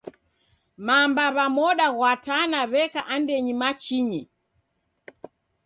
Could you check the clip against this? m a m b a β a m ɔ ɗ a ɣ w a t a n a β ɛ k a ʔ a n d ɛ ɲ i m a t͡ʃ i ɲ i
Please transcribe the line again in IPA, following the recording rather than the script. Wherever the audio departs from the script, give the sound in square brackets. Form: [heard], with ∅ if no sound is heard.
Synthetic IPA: m a m b a β a m ɔ ɗ a ɣ w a t a n a β ɛ k a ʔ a n d ɛ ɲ i m a t͡ʃ i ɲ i